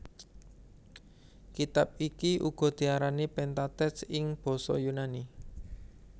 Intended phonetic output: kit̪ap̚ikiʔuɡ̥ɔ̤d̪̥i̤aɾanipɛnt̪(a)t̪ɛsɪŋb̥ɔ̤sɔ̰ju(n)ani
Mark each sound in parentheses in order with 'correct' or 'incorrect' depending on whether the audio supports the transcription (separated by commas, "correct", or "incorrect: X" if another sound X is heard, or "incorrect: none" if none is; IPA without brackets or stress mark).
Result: correct, correct